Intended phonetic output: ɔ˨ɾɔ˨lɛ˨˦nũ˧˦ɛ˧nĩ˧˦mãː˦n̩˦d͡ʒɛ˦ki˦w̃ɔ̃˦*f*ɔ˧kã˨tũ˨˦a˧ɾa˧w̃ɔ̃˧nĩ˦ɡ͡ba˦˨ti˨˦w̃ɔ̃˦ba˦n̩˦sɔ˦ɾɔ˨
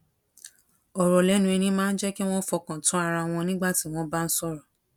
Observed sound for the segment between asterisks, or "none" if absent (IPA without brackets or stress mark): f